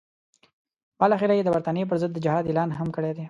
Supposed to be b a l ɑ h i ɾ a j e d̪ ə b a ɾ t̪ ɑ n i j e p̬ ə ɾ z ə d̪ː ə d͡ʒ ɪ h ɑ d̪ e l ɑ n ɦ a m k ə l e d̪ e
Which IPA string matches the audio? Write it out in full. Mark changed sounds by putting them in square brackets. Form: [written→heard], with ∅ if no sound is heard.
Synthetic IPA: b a l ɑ [h→x] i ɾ a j e d̪ ə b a ɾ t̪ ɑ n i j e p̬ ə ɾ z ə d̪ː ə d͡ʒ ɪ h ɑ d̪ e l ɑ n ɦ a m k ə [l→ɽ] e d̪ e